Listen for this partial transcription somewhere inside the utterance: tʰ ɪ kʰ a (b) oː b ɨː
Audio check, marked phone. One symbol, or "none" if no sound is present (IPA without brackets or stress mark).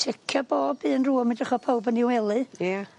b